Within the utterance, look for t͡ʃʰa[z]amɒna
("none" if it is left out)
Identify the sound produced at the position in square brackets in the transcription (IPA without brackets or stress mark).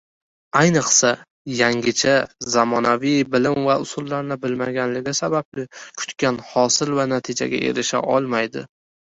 z